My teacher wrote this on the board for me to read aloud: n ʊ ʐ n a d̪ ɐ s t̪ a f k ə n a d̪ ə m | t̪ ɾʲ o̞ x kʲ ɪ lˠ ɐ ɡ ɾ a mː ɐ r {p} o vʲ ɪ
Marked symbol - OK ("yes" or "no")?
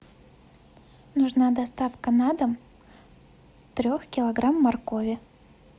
no